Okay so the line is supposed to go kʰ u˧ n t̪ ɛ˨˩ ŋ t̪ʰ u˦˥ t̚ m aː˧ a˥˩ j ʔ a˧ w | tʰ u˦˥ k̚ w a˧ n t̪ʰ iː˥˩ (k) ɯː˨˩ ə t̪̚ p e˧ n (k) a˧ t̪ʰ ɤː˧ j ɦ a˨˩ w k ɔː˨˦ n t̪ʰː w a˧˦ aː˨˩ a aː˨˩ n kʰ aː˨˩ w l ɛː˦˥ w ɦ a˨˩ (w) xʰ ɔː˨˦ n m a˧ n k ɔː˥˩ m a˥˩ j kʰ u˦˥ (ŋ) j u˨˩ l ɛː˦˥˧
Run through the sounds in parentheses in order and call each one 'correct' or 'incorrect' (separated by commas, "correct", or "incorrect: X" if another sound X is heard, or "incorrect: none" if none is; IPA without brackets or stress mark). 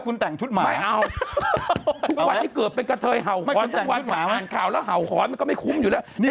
correct, correct, correct, incorrect: m